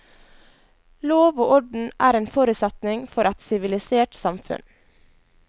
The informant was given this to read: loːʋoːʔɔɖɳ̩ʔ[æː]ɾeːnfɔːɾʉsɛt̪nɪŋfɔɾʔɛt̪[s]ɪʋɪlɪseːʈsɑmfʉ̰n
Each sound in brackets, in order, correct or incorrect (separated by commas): correct, correct